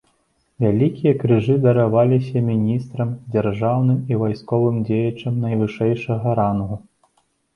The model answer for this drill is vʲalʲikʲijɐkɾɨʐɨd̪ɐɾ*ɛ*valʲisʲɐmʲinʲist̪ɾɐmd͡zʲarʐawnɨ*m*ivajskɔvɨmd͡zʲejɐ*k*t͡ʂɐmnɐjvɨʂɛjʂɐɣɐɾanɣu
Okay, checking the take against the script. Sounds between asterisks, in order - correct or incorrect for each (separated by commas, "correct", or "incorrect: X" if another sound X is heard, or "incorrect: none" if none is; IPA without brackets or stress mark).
incorrect: a, correct, incorrect: none